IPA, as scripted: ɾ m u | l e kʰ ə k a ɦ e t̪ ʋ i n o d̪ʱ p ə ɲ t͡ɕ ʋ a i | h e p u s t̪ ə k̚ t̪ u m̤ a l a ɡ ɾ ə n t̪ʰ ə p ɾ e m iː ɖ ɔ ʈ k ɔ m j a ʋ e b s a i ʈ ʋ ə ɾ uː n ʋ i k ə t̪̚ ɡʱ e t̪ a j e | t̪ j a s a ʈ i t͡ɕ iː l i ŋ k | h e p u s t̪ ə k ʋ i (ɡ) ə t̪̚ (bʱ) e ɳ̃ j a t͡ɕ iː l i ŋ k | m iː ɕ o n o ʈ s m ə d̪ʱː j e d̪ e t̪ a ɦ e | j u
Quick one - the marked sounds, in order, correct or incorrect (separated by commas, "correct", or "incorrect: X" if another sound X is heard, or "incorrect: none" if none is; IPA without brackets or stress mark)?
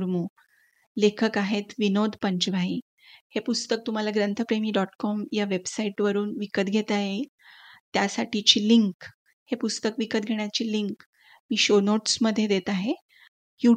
incorrect: k, incorrect: ɡʱ